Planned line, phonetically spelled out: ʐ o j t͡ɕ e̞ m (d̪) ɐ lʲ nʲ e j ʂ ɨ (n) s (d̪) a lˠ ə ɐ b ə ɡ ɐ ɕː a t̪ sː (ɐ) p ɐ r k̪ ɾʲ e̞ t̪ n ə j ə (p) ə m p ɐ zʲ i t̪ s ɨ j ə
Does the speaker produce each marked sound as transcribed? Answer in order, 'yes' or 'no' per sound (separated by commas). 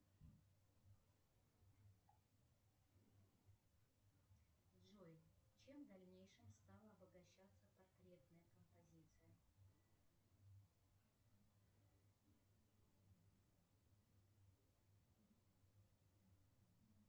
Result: yes, no, no, no, no